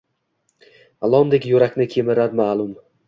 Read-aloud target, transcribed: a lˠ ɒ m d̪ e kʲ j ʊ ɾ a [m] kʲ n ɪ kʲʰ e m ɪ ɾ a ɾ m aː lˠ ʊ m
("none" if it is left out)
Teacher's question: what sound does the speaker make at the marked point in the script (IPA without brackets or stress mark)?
none